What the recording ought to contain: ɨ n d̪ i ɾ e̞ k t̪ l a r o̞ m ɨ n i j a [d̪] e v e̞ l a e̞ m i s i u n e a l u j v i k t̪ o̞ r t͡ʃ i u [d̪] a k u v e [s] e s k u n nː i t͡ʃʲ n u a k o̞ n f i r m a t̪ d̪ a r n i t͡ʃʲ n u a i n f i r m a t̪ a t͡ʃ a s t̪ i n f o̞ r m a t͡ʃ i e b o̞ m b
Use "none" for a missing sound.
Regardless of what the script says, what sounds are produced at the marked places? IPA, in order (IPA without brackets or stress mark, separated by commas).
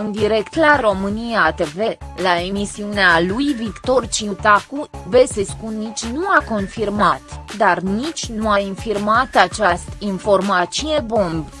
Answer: t̪, t̪, s